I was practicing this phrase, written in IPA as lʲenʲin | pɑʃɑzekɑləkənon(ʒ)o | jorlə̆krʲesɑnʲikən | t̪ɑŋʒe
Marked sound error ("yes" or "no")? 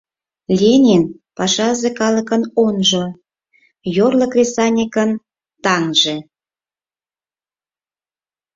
no